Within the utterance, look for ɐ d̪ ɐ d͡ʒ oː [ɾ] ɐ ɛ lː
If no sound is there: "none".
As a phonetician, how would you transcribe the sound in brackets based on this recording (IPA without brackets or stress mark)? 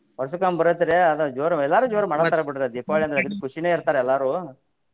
ɾ